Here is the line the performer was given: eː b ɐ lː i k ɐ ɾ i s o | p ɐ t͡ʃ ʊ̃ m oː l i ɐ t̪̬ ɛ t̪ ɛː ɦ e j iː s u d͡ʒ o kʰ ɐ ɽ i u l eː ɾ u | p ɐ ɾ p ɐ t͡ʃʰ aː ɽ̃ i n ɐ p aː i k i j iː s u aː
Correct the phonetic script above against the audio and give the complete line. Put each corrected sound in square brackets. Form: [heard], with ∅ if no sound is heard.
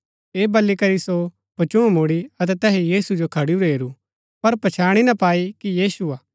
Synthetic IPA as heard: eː b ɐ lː i k ɐ ɾ i s o | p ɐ t͡ʃ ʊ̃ m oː [ɽ] i ɐ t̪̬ ɛ t̪ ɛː ɦ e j iː s u d͡ʒ o kʰ ɐ ɽ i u [ɾ] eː ɾ u | p ɐ ɾ p ɐ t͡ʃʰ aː ɽ̃ i n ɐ p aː i k i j iː s u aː